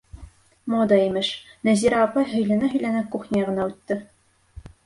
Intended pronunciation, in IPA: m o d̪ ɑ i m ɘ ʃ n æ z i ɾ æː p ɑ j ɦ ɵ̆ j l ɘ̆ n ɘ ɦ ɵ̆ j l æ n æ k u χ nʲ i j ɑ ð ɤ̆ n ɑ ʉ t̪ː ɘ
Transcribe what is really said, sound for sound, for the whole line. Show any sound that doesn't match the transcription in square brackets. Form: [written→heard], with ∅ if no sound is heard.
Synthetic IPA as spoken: m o d̪ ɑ i m ɘ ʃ n æ z i ɾ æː p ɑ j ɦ ɵ̆ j l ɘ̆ n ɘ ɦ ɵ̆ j l æ n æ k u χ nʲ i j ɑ [ð→ʁ] ɤ̆ n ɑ ʉ t̪ː ɘ

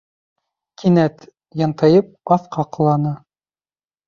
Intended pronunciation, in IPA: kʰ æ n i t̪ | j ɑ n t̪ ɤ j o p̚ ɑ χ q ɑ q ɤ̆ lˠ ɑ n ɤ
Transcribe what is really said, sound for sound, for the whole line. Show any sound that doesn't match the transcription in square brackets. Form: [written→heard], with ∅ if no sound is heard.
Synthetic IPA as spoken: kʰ [æ→i] n [i→æ] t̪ | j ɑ n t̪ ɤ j [o→ɤ] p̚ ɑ [χ→θ] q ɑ q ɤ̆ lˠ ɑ n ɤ

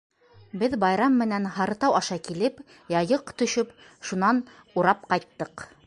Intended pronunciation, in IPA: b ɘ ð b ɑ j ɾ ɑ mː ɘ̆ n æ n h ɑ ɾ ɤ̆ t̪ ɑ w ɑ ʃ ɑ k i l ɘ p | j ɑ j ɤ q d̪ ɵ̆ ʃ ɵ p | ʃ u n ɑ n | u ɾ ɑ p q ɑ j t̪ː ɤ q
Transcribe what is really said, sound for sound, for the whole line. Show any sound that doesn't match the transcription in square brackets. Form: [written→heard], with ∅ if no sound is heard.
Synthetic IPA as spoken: b ɘ ð b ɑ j ɾ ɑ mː ɘ̆ n æ n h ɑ ɾ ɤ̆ t̪ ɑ w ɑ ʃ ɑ k i l ɘ p | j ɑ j ɤ q [d̪→t̪] ɵ̆ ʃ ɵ p | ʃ u n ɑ n | u ɾ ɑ p q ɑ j t̪ː ɤ q

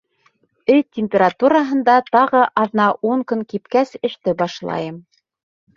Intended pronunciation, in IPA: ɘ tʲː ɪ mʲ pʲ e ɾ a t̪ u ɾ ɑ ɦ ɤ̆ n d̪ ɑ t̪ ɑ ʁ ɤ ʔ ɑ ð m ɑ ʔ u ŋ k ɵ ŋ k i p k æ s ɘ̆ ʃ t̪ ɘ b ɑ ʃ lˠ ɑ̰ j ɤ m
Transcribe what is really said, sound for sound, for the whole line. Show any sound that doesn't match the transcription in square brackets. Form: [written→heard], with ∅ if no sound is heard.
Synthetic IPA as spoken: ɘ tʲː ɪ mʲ pʲ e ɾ a t̪ u ɾ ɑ ɦ ɤ̆ n d̪ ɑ t̪ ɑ ʁ ɤ ʔ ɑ ð [m→n] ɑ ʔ u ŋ k ɵ ŋ k i p k æ s ɘ̆ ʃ t̪ ɘ b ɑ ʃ lˠ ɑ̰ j ɤ m

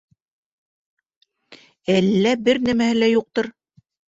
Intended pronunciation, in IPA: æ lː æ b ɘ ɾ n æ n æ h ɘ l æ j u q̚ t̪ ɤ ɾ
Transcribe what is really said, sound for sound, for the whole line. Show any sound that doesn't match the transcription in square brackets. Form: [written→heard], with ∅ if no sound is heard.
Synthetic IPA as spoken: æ lː æ b ɘ ɾ n æ [n→m] æ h ɘ l æ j u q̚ t̪ ɤ ɾ

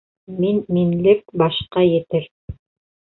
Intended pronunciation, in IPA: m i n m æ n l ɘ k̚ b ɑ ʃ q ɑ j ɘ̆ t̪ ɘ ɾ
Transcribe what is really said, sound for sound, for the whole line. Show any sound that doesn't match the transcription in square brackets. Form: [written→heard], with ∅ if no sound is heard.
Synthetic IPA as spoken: m i n m [æ→i] n l ɘ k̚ b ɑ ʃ q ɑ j ɘ̆ t̪ ɘ ɾ

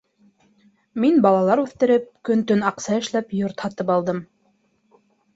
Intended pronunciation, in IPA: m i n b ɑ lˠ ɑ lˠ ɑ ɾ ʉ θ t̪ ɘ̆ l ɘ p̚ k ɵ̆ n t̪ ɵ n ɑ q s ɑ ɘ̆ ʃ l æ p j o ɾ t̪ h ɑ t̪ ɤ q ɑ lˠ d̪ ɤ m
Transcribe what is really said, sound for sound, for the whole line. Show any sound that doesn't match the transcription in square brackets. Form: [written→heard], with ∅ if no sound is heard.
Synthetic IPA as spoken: m i n b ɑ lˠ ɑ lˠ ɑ ɾ ʉ θ t̪ ɘ̆ [l→ɾ] ɘ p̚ k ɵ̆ n t̪ ɵ n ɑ q s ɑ ɘ̆ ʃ l æ p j o ɾ t̪ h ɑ t̪ ɤ [q→p] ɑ lˠ d̪ ɤ m

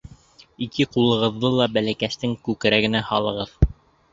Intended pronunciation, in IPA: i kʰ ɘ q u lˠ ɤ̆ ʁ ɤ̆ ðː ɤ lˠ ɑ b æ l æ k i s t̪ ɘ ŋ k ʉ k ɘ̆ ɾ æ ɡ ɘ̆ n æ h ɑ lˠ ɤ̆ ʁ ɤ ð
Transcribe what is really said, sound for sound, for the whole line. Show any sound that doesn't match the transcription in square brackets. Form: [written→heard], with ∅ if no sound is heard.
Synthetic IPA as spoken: i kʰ ɘ q u lˠ ɤ̆ ʁ ɤ̆ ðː ɤ lˠ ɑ b æ l æ k [i→æ] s t̪ ɘ ŋ k ʉ k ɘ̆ ɾ æ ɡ ɘ̆ n æ h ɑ lˠ ɤ̆ ʁ ɤ ð

